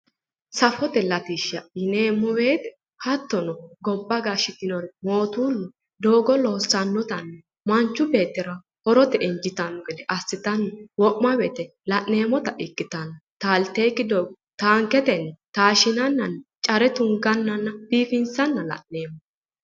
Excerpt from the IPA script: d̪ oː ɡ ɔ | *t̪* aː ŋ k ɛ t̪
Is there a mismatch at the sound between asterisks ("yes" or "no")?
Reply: no